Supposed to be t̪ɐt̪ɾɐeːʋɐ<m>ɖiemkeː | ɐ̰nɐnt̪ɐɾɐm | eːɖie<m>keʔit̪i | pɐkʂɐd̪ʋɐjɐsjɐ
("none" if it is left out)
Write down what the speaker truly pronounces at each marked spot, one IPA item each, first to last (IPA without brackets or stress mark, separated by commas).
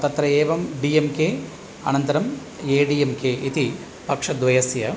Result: m, m